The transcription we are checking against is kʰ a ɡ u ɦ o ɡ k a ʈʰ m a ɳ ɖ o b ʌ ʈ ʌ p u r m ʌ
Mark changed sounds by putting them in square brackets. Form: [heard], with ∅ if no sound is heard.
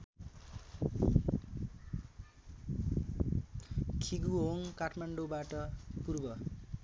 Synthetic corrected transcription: kʰ [i] ɡ u ɦ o [ŋ] k a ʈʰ m a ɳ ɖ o b [a] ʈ ʌ p u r [b] ʌ